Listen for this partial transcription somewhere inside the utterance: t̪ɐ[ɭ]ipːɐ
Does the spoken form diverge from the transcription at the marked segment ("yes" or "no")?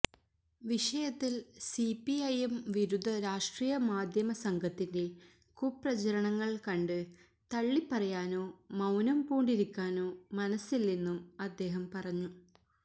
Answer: yes